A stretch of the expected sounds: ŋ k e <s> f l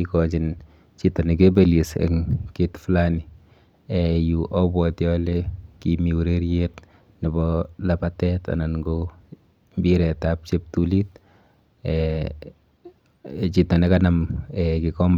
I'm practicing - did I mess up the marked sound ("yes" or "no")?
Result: yes